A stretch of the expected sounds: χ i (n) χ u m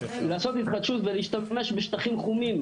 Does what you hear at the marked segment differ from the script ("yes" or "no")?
yes